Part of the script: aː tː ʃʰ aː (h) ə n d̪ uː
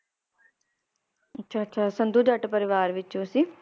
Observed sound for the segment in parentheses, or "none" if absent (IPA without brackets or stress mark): s